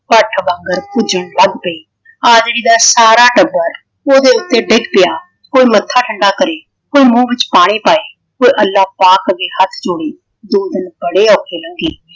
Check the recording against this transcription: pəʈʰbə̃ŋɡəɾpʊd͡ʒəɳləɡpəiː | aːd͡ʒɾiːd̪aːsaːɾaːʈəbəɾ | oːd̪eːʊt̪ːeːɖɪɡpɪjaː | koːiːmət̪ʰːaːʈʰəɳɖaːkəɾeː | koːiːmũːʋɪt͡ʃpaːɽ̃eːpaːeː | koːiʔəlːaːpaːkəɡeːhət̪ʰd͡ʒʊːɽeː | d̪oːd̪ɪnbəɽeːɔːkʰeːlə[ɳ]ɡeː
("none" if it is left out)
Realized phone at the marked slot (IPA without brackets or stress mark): ŋ